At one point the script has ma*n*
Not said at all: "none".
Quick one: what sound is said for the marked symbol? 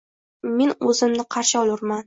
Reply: n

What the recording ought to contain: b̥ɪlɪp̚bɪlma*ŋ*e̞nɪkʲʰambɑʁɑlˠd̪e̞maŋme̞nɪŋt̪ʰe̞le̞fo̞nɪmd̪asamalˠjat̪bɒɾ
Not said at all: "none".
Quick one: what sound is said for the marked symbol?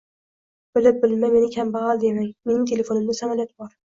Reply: m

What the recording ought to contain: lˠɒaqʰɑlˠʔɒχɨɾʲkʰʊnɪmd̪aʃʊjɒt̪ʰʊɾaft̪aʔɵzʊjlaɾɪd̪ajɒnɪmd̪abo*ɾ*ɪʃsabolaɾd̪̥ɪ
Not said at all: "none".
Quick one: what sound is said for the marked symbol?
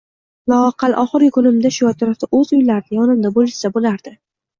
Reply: l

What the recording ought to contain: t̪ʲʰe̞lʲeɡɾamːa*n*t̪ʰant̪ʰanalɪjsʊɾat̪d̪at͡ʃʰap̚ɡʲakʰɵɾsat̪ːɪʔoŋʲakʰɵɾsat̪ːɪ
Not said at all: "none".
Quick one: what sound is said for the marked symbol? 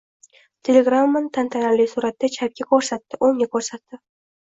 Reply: n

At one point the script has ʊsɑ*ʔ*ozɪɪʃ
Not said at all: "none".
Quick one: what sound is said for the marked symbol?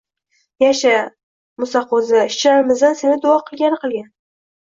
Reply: q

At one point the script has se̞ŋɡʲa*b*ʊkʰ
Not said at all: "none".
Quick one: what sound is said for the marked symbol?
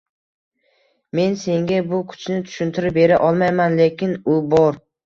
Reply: b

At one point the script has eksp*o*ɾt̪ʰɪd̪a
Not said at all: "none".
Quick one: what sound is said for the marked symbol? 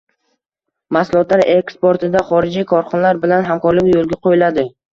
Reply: o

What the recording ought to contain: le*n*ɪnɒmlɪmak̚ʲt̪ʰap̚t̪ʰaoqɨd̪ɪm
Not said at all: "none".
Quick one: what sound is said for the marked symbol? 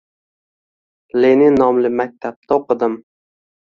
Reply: n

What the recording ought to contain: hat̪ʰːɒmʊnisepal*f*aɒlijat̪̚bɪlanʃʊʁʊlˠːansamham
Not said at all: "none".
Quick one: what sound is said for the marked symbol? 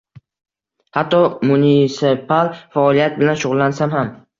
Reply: f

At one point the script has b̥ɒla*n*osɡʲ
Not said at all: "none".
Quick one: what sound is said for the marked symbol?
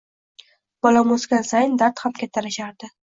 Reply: m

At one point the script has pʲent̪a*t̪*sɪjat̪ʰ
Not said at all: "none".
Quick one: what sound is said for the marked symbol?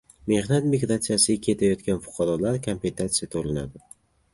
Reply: t̪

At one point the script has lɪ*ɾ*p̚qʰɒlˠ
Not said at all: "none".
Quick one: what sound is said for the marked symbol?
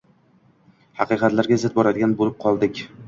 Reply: none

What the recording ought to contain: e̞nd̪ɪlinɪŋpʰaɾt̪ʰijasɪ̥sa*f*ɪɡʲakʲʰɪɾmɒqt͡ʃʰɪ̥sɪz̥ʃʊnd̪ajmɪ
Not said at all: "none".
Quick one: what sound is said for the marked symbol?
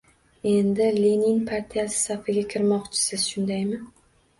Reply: f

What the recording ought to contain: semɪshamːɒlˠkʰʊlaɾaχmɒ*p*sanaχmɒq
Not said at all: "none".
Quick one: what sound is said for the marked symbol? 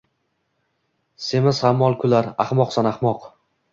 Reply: q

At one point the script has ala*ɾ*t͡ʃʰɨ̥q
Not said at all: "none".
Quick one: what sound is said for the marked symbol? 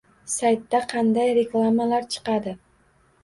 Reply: ɾ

